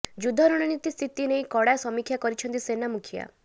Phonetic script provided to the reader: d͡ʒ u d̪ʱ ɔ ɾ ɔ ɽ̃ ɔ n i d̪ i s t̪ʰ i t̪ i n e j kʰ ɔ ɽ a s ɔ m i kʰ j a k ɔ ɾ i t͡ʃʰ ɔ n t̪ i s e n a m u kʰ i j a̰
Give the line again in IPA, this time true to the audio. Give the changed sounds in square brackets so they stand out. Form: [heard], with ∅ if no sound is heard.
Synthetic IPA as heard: d͡ʒ u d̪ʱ ɔ ɾ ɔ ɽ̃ ɔ n i [t̪] i s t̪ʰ i t̪ i n e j [k] ɔ ɽ a s ɔ m i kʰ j a k ɔ ɾ i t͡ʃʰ ɔ n t̪ i s e n a m u kʰ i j a̰